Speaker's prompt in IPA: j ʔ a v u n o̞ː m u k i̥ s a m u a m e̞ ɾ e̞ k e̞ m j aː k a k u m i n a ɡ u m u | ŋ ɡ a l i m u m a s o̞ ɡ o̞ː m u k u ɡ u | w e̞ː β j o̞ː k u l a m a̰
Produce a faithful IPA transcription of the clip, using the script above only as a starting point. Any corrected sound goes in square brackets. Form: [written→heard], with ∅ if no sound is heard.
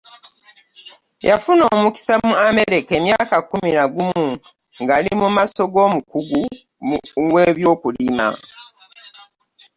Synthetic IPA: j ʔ a [v→f] u n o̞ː m u k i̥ s a m u a m e̞ ɾ e̞ k e̞ m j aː k a k u m i n a ɡ u m u | ŋ ɡ a l i m u m a s o̞ ɡ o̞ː m u k u ɡ u | w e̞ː β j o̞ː k u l [a→i] m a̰